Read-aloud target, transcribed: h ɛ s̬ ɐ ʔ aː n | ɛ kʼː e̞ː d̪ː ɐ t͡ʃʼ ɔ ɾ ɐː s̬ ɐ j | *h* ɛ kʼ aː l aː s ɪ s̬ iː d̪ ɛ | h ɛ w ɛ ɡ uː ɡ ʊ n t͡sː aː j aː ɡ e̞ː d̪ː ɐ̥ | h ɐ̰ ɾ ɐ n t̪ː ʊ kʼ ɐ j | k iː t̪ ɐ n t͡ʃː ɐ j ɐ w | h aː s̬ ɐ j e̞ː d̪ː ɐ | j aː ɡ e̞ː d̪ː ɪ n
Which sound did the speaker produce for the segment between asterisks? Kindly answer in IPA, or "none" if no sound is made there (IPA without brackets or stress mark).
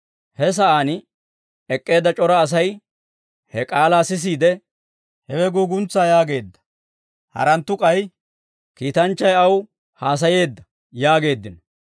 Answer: h